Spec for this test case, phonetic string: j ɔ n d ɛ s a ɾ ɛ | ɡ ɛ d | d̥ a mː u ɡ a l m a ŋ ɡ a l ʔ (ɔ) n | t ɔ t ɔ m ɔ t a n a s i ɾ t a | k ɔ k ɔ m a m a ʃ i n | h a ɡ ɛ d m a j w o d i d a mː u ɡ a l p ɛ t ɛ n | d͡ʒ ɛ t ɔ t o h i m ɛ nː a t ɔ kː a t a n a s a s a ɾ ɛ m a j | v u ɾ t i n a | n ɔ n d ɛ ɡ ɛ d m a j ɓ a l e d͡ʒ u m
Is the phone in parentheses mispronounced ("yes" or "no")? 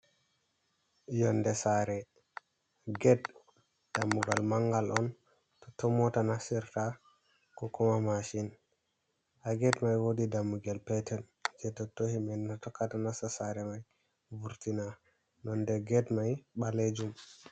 no